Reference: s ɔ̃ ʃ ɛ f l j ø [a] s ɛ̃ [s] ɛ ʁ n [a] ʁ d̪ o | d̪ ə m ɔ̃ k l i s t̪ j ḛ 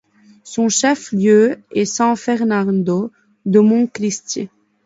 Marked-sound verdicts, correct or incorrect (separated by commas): incorrect, incorrect, correct